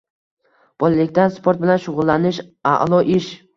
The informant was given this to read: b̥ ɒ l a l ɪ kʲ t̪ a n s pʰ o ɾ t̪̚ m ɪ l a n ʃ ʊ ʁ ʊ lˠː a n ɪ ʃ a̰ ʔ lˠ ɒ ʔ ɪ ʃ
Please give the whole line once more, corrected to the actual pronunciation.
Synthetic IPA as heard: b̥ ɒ l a l ɪ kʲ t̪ a n s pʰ o ɾ t̪̚ b ɪ l a n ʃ ʊ ʁ ʊ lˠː a n ɪ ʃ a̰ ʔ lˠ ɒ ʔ ɪ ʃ